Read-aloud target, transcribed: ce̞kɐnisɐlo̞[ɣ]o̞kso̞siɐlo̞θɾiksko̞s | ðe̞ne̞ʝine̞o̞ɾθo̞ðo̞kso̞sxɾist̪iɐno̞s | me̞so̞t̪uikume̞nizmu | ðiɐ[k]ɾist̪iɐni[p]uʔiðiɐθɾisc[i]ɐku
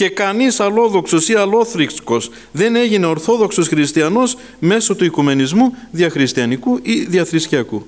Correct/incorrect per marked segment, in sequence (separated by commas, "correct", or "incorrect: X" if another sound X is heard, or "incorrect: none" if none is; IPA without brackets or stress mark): incorrect: ð, incorrect: x, incorrect: k, correct